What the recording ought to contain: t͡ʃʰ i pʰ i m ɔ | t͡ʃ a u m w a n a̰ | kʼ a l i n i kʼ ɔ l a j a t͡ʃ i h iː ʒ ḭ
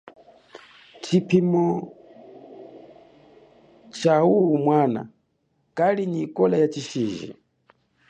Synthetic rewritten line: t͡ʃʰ i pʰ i m ɔ | t͡ʃ a u m w a n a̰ | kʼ a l i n i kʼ ɔ l a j a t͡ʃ i ʃ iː ʒ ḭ

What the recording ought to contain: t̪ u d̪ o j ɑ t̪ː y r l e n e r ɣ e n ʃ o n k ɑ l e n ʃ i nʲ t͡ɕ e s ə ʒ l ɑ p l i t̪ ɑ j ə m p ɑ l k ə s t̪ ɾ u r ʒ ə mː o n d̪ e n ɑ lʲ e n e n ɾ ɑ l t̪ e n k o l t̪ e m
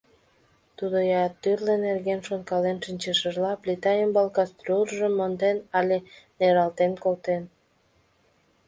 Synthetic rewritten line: t̪ u d̪ o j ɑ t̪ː y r l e n e r ɣ e n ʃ o n k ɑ l e n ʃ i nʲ t͡ɕ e ʃ ə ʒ l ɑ p l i t̪ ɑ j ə m b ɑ l k ɑ s t̪ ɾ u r ʒ ə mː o n d̪ e n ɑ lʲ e n e ɾ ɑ l t̪ e n k o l t̪ e n

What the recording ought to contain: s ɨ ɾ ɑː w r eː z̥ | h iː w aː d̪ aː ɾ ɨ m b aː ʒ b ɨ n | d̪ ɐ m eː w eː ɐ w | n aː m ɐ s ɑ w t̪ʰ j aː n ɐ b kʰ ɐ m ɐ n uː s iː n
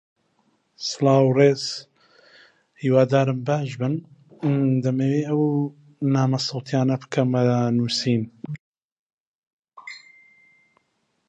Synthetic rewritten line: s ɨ l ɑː w r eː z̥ | h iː w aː d̪ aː ɾ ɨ m b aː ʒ b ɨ n | d̪ ɐ m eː w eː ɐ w | n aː m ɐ s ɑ w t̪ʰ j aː n ɐ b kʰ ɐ m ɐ n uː s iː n

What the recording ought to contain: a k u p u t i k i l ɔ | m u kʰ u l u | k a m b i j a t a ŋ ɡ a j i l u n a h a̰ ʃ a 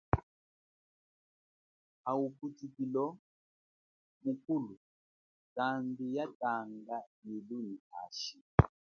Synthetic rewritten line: a u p u t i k i l ɔ | m u k u l u | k a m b i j a t a ŋ ɡ a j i l u n i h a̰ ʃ i

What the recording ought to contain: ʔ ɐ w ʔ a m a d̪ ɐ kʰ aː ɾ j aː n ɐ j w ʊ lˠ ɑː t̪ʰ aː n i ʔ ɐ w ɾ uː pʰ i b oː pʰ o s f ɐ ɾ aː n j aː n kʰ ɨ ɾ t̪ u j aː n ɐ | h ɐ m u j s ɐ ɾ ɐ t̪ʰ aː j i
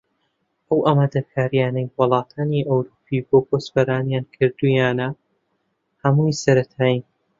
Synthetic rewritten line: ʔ ɐ w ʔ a m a d̪ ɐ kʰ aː ɾ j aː n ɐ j w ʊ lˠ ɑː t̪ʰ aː n i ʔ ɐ w ɾ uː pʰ i b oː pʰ o s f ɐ ɾ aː n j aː n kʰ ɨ ɾ d̪ u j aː n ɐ | h ɐ m u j s ɐ ɾ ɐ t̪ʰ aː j i

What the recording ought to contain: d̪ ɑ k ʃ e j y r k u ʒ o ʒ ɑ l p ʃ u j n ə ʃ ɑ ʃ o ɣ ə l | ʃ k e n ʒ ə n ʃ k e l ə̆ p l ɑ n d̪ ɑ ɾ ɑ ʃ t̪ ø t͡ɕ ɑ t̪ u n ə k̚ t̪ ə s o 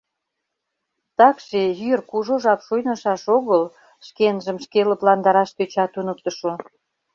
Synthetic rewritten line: t̪ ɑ k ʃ e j y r k u ʒ o ʒ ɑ p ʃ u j n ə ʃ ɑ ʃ o ɣ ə l | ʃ k e n ʒ ə m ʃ k e l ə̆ p l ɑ n d̪ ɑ ɾ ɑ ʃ t̪ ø t͡ɕ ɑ t̪ u n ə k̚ t̪ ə ʃ o

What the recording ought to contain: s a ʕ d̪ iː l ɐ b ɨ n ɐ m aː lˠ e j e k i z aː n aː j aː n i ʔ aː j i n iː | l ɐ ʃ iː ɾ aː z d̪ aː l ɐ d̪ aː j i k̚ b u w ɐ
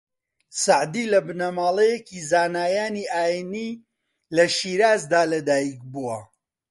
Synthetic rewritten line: s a ʕ d̪ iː l ɐ b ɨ n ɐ m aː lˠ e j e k i z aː n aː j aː n i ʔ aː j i n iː | l ɐ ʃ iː ɾ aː z d̪ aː l ɐ d̪ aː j i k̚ b u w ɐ

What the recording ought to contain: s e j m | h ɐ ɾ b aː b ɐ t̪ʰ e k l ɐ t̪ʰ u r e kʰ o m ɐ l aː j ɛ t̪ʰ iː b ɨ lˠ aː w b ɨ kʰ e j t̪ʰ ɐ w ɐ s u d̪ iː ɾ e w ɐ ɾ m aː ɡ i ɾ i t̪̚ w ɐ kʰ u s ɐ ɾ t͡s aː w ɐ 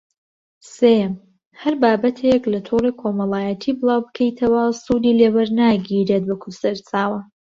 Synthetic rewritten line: s e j m | h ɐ ɾ b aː b ɐ t̪ʰ e k l ɐ t̪ʰ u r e kʰ o m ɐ l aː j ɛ t̪ʰ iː b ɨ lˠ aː w b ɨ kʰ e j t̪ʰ ɐ w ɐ s u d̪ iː l e w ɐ ɾ n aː ɡ i ɾ e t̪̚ w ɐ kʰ u s ɐ ɾ t͡s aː w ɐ

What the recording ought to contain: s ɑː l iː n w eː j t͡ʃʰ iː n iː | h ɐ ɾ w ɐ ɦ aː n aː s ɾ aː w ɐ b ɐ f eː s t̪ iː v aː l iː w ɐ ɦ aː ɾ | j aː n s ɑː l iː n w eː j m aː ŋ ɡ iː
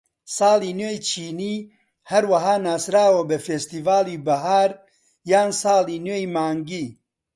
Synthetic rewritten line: s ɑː l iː n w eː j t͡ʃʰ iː n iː | h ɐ ɾ w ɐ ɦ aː n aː s ɾ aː w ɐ b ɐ f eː s t̪ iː v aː l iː b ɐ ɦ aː ɾ | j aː n s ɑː l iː n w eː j m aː ŋ ɡ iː

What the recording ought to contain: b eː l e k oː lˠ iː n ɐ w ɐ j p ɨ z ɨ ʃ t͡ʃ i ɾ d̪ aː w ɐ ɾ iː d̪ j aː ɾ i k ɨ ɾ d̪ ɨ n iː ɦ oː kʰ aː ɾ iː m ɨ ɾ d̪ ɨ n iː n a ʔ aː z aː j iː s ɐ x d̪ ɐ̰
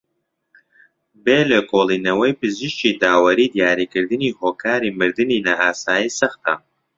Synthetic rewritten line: b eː l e k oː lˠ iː n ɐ w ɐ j p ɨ z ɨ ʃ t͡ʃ i d̪ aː w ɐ ɾ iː d̪ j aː ɾ i k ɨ ɾ d̪ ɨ n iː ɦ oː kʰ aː ɾ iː m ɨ ɾ d̪ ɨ n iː n a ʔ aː s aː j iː s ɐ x t̪ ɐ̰

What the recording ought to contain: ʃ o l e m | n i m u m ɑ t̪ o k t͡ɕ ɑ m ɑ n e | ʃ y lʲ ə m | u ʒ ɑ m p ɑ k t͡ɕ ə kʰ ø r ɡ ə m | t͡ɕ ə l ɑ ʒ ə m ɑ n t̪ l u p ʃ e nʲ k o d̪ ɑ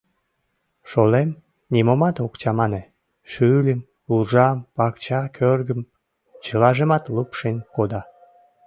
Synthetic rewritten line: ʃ o l e m | n i m o m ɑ t̪ o k t͡ɕ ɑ m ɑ n e | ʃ y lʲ ə m | u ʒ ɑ m p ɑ k t͡ɕ ɑ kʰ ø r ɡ ə m | t͡ɕ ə l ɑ ʒ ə m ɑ t̪ l u p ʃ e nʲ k o d̪ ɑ

